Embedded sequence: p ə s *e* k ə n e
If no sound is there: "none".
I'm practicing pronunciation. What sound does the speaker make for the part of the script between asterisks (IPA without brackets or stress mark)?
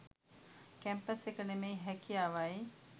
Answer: e